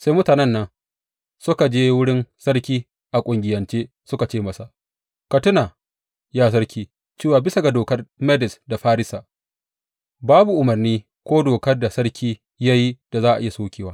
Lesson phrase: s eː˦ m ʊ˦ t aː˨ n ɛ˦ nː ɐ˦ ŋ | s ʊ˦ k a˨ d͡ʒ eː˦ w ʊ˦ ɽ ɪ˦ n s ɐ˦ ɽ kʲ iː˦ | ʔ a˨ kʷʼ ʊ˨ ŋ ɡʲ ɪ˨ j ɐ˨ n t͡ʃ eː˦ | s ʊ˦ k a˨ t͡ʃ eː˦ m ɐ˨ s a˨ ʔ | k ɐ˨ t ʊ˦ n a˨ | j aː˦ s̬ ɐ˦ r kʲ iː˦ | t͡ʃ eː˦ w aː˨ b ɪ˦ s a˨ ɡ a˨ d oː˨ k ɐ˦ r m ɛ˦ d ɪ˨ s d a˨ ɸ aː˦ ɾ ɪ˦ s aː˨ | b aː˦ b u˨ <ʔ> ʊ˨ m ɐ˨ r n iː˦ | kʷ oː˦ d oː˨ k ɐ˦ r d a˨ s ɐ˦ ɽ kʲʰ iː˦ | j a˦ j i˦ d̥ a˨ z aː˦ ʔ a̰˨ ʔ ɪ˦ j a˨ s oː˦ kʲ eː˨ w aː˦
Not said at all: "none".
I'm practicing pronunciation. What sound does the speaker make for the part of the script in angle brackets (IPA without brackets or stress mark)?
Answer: ʔ